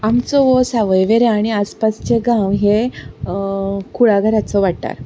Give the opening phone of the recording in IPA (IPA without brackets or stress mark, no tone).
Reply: a